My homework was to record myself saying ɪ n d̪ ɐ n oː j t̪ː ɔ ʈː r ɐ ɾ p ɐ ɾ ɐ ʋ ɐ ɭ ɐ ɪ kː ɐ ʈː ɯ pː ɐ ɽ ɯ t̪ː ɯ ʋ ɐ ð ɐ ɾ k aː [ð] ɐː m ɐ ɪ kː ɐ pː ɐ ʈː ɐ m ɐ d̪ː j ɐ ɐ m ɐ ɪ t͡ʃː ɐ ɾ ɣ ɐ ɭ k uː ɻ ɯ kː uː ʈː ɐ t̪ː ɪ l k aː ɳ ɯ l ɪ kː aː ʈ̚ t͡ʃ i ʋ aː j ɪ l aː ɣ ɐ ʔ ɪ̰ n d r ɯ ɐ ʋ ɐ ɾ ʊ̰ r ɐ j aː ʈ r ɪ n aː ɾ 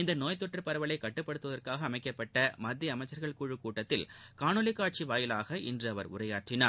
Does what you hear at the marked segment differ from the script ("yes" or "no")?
yes